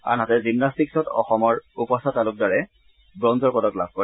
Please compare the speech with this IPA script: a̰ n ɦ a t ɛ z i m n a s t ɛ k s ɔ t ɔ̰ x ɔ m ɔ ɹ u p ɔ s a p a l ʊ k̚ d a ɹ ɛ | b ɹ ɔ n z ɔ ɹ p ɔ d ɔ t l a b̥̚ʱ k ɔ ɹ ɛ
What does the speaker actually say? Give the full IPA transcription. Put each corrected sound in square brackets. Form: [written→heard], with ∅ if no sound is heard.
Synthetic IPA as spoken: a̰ n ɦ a t ɛ z i m n a s t [ɛ→i] k s ɔ t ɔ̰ x ɔ m ɔ ɹ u p ɔ s a [p→t] a l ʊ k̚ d a ɹ ɛ | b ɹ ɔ n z ɔ ɹ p ɔ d ɔ [t→k] l a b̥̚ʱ k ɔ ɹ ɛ

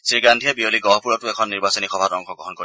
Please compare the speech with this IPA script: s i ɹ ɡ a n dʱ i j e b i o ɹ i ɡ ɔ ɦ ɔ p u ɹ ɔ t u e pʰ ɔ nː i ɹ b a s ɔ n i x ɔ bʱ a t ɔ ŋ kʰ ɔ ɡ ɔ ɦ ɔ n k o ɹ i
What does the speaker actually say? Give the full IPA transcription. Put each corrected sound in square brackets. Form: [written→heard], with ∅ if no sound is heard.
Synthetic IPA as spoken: s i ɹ ɡ a n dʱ i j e b i o [ɹ→l] i ɡ ɔ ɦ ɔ p u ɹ ɔ t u e [pʰ→kʰ] ɔ nː i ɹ b a s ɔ n i x ɔ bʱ a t ɔ ŋ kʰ ɔ ɡ ɔ ɦ ɔ n k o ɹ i

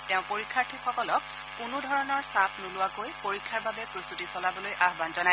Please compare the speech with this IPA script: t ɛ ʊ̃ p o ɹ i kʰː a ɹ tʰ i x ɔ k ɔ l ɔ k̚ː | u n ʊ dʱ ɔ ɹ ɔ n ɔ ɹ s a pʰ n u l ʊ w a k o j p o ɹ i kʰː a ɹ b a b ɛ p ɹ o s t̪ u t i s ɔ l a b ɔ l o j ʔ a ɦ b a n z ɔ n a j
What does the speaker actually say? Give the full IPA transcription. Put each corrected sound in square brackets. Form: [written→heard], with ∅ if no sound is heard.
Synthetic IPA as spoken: t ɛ ʊ̃ p o ɹ i kʰː a ɹ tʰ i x ɔ k ɔ l ɔ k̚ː | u n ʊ dʱ ɔ ɹ ɔ n ɔ ɹ s a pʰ n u l ʊ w a k o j p o ɹ i kʰː a ɹ b a b ɛ p ɹ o s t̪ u t i s ɔ l a b ɔ l o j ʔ a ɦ b a n z ɔ n a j

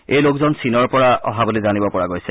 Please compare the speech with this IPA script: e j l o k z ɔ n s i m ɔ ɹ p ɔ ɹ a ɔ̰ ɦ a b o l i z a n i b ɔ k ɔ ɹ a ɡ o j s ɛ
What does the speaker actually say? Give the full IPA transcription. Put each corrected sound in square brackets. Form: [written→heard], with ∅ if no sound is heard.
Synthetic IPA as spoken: e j l o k z ɔ n s i [m→n] ɔ ɹ p ɔ ɹ a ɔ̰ ɦ a b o l i z a n i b ɔ [k→p] ɔ ɹ a ɡ o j s ɛ

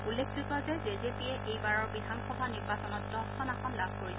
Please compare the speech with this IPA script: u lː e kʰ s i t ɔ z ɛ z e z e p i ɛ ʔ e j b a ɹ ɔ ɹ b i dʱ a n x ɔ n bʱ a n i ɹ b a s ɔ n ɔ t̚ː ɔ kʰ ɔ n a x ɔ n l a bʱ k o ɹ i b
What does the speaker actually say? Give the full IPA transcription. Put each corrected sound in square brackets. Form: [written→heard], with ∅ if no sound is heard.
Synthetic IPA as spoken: u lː e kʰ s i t ɔ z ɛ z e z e p i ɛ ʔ e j b a ɹ ɔ ɹ b i dʱ a n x ɔ [n→∅] bʱ a n i ɹ b a s ɔ n ɔ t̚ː ɔ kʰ ɔ n a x ɔ n l a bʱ k o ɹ i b

